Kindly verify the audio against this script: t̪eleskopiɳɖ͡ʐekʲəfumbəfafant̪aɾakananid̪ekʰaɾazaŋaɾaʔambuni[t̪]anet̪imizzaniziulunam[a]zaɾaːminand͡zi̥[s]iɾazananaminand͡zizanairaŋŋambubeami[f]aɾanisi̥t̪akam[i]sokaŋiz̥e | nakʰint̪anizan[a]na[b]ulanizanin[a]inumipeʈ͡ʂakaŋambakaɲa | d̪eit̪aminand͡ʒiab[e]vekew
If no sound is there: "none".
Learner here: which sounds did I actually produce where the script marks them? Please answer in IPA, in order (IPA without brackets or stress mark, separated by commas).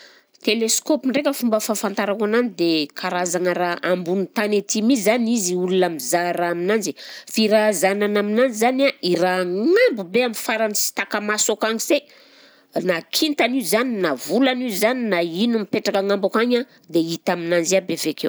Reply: t̪, i, f, f, a, i, v, a, e